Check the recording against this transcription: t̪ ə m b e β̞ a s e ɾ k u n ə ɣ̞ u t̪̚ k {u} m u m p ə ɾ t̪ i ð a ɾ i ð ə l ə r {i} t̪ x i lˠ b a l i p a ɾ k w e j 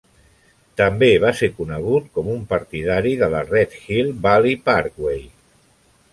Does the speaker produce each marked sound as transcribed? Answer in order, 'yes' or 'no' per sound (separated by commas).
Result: no, no